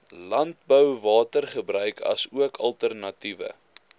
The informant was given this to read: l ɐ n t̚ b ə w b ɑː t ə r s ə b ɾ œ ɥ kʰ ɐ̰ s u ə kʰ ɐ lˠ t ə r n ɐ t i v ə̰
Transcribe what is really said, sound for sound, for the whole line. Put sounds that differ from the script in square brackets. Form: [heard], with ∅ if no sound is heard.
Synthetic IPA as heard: l ɐ n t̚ b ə w [v] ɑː t ə r [χ] ə b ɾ œ ɥ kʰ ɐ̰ s u ə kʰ ɐ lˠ t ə r n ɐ t i v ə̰